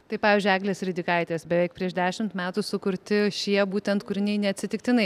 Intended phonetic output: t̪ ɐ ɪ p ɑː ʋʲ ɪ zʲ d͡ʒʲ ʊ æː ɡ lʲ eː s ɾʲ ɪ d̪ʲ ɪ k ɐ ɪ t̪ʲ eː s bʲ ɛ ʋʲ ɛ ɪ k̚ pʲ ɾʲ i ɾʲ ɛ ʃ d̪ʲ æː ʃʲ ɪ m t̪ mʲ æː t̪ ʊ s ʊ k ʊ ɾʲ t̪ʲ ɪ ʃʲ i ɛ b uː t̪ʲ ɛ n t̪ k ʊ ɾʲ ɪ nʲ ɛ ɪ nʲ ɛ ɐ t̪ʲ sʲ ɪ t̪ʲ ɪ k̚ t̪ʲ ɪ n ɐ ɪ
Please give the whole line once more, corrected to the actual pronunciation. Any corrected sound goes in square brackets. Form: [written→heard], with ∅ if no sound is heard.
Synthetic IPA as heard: t̪ ɐ ɪ p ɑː ʋʲ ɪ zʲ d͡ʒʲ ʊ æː ɡ lʲ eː s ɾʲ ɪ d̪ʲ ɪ k ɐ ɪ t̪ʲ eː s bʲ ɛ ʋʲ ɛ ɪ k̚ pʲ ɾʲ i [ɾʲ→∅] ɛ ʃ d̪ʲ æː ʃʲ ɪ m t̪ mʲ æː t̪ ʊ s ʊ k ʊ ɾʲ t̪ʲ ɪ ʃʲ i ɛ b uː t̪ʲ ɛ n t̪ k ʊ ɾʲ ɪ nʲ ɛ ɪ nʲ ɛ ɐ t̪ʲ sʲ ɪ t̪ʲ ɪ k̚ t̪ʲ ɪ n ɐ ɪ

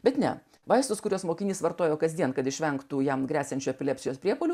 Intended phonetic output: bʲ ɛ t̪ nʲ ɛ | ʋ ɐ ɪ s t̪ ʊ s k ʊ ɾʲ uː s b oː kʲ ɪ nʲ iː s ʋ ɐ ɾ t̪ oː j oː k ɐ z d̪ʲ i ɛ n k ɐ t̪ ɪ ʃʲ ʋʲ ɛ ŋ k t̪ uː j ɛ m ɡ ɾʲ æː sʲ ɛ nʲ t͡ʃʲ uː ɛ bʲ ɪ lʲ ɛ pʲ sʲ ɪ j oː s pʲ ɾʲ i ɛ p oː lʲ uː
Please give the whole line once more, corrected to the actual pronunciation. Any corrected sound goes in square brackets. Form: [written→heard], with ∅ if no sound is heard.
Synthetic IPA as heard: bʲ ɛ t̪ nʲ ɛ | ʋ ɐ ɪ s t̪ ʊ s k ʊ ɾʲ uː s [b→m] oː kʲ ɪ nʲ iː s ʋ ɐ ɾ t̪ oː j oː k ɐ z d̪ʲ i ɛ n k ɐ t̪ ɪ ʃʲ ʋʲ ɛ ŋ k t̪ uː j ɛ m ɡ ɾʲ æː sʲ ɛ nʲ t͡ʃʲ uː ɛ [bʲ→pʲ] ɪ lʲ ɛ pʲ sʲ ɪ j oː s pʲ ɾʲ i ɛ p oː lʲ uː

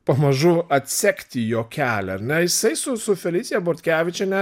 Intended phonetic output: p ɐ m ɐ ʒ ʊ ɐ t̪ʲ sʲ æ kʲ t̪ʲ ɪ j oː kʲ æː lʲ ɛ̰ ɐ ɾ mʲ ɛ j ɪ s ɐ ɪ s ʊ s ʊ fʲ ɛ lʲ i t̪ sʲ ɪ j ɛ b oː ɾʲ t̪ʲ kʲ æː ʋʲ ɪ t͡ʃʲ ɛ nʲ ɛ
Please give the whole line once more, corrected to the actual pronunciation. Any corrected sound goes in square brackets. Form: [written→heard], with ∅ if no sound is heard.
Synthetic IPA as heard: p ɐ m ɐ ʒ ʊ ɐ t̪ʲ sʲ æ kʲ t̪ʲ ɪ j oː kʲ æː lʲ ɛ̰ ɐ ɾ [mʲ→nʲ] ɛ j ɪ s ɐ ɪ s ʊ s ʊ fʲ ɛ lʲ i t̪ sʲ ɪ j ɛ b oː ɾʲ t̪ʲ kʲ æː ʋʲ ɪ t͡ʃʲ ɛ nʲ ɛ

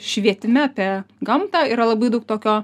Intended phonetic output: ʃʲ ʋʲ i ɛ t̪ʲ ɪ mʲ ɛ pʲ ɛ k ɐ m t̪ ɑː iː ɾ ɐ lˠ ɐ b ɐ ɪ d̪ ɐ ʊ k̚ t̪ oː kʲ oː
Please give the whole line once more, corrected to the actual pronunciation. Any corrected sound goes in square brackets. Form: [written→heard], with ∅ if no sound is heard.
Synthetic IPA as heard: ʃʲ ʋʲ i ɛ t̪ʲ ɪ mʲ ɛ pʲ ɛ [k→ɡ] ɐ m t̪ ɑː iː ɾ ɐ lˠ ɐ b ɐ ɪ d̪ ɐ ʊ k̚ t̪ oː kʲ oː

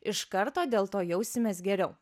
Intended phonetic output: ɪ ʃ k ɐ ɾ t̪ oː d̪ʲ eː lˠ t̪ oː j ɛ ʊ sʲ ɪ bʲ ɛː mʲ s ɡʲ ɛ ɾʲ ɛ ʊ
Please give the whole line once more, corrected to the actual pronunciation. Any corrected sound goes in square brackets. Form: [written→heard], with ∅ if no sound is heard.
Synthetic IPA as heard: ɪ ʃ k ɐ ɾ t̪ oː d̪ʲ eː lˠ t̪ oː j ɛ ʊ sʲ ɪ [bʲ→mʲ] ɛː [mʲ→∅] s ɡʲ ɛ ɾʲ ɛ ʊ

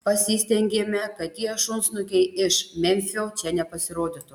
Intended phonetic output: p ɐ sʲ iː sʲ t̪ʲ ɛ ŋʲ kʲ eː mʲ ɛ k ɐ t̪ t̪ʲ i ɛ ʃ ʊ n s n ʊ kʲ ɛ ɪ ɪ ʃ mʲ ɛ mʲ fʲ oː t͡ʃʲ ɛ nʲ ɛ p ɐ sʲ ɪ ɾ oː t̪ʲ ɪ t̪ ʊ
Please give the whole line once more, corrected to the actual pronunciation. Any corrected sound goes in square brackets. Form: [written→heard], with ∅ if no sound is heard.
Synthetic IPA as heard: p ɐ sʲ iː sʲ t̪ʲ ɛ ŋʲ [kʲ→ɡʲ] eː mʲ ɛ k ɐ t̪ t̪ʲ i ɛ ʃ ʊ n s n ʊ kʲ ɛ ɪ ɪ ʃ mʲ ɛ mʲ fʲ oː t͡ʃʲ ɛ nʲ ɛ p ɐ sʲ ɪ ɾ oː [t̪ʲ→d̪ʲ] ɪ t̪ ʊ

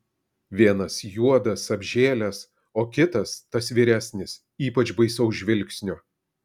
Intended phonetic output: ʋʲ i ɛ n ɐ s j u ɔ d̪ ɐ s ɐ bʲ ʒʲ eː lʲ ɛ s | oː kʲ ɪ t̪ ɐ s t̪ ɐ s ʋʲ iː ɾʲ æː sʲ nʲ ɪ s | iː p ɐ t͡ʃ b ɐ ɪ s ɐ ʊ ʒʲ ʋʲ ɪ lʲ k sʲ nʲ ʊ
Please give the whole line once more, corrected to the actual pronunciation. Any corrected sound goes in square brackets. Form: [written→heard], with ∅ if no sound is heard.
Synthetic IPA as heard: ʋʲ i ɛ n ɐ s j u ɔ d̪ ɐ s ɐ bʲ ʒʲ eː lʲ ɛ s | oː kʲ ɪ t̪ ɐ s t̪ ɐ s ʋʲ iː ɾʲ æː sʲ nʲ ɪ s | iː p ɐ t͡ʃ b ɐ ɪ s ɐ ʊ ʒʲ ʋʲ ɪ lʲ k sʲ nʲ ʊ

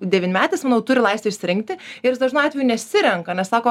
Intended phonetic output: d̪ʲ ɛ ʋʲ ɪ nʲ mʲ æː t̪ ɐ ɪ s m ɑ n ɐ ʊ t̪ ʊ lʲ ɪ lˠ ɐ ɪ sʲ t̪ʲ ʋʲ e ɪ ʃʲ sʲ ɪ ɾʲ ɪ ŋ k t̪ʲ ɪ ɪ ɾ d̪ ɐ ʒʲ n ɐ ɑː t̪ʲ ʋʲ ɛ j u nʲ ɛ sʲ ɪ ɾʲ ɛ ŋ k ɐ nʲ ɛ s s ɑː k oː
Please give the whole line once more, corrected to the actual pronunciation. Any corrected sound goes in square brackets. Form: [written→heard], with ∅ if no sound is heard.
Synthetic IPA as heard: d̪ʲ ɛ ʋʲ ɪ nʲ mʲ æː t̪ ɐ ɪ s m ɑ n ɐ ʊ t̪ ʊ [lʲ→ɾʲ] ɪ lˠ ɐ ɪ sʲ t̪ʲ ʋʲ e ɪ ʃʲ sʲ ɪ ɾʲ ɪ ŋ k t̪ʲ ɪ ɪ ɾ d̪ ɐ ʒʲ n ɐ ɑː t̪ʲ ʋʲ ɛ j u nʲ ɛ sʲ ɪ ɾʲ ɛ ŋ k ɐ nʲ ɛ s s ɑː k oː

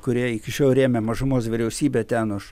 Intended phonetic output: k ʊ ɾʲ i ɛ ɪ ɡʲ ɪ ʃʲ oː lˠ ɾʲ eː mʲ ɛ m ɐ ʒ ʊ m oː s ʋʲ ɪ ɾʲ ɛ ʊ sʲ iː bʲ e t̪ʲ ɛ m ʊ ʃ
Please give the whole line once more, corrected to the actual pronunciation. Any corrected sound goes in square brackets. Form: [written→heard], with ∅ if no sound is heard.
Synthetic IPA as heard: k ʊ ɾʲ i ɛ ɪ [ɡʲ→kʲ] ɪ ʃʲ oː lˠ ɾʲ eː mʲ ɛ m ɐ ʒ ʊ m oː s ʋʲ ɪ ɾʲ ɛ ʊ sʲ iː bʲ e t̪ʲ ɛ [m→n] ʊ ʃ

